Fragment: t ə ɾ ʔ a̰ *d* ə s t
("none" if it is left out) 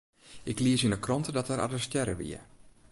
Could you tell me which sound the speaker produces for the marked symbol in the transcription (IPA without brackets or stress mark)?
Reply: d